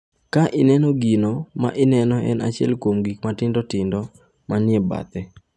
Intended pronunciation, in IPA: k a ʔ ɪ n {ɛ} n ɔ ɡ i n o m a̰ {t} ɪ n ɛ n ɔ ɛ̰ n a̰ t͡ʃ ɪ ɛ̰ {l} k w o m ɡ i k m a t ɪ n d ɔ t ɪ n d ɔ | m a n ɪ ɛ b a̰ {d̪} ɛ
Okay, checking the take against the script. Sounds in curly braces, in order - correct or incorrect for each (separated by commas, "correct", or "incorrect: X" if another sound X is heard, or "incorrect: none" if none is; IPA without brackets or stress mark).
correct, incorrect: ʔ, correct, incorrect: t̪